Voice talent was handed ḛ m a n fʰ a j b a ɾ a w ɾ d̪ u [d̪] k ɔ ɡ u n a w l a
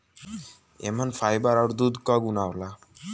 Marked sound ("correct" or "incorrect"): correct